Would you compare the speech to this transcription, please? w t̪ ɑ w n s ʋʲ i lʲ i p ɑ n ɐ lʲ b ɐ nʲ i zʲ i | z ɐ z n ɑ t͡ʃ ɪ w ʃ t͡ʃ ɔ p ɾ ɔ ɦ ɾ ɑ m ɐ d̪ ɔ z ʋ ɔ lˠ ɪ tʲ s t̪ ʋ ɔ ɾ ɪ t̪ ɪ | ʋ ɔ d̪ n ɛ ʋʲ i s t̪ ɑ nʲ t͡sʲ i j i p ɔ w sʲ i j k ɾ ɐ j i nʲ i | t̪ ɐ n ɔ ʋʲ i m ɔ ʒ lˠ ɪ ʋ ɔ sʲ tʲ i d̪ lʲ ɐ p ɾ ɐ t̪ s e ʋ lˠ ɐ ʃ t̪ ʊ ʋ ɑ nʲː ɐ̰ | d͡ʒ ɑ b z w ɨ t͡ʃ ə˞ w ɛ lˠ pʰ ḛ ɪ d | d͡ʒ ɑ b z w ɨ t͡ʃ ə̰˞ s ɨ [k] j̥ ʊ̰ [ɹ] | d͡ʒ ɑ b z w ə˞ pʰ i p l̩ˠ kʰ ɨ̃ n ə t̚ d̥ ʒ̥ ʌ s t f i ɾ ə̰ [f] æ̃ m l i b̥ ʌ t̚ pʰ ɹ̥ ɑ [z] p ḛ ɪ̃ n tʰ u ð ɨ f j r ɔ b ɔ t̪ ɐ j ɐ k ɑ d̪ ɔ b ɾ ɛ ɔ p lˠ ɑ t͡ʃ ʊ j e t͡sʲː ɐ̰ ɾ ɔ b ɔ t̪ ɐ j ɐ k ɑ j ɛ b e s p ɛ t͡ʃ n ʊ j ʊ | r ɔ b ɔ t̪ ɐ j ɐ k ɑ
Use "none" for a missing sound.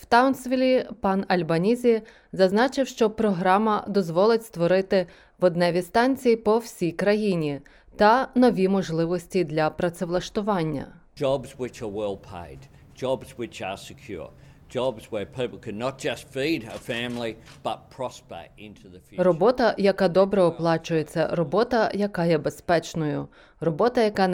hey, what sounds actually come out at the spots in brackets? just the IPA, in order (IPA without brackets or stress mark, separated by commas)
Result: kʰ, ɹ, f, s